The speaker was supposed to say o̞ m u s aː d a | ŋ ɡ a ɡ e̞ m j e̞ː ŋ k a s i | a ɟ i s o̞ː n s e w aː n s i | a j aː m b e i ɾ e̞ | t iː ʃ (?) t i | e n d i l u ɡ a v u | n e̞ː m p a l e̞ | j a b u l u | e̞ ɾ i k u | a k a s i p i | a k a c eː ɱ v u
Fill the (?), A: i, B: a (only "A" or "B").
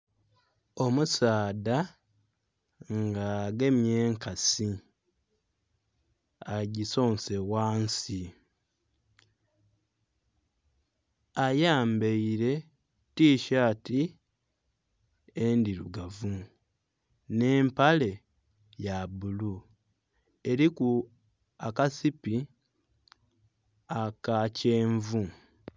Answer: B